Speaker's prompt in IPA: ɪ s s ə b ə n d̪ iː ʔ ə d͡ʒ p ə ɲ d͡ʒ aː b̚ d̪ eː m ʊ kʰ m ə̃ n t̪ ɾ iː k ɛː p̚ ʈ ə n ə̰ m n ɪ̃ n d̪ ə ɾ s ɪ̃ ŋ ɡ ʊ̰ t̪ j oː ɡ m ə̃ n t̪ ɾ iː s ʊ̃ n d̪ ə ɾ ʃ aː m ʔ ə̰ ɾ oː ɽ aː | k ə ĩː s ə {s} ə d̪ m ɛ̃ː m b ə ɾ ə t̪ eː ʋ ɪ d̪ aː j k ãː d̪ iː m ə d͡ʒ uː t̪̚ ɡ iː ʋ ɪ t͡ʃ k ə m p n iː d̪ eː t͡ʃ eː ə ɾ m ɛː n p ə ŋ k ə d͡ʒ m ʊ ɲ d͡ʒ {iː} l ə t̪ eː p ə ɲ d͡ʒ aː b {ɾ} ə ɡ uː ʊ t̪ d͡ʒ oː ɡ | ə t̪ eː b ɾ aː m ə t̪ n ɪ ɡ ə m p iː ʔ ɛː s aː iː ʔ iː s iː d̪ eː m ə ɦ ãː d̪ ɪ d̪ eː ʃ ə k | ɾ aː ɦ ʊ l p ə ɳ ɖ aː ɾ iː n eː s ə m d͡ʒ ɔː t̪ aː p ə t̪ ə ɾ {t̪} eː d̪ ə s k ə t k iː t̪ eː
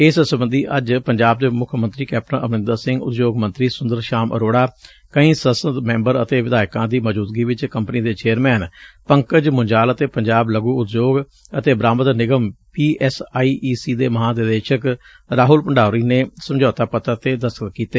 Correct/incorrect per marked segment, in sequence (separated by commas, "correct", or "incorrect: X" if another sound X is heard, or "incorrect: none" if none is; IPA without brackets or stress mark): correct, incorrect: aː, incorrect: l, correct